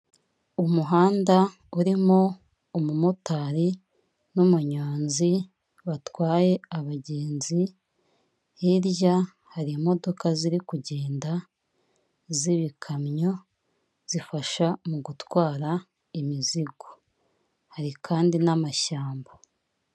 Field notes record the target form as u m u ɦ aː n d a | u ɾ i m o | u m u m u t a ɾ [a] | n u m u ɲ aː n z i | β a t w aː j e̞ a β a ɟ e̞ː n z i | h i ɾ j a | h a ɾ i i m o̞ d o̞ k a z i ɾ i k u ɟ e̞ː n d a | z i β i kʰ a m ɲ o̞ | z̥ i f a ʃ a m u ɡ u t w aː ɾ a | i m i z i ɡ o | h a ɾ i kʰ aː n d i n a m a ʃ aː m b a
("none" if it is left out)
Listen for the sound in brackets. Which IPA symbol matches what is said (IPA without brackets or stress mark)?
i